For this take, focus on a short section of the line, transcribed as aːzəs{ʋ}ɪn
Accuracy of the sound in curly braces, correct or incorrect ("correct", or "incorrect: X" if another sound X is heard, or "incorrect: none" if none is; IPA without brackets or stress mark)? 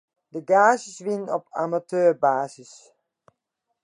correct